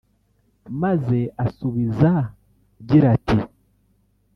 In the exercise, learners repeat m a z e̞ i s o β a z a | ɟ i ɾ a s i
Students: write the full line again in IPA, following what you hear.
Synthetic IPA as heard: m a z e̞ a s u β i z a | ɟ i ɾ a t i